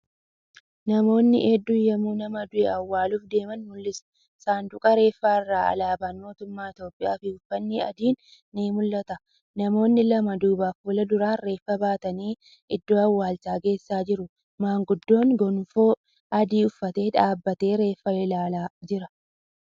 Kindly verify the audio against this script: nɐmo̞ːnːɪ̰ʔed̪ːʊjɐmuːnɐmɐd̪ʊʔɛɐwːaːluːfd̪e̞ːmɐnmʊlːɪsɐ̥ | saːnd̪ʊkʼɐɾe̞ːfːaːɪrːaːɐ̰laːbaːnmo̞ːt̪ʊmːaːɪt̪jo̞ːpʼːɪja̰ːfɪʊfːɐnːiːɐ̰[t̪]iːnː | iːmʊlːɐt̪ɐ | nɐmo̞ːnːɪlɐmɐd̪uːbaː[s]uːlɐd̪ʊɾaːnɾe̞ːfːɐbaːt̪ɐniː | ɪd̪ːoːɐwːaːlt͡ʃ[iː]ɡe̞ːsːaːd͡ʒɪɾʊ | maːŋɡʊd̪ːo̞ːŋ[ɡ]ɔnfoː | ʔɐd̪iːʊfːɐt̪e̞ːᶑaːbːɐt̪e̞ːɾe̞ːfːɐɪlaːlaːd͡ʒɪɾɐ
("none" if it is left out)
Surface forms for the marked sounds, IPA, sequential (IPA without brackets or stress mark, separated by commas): d̪, f, aː, ɡ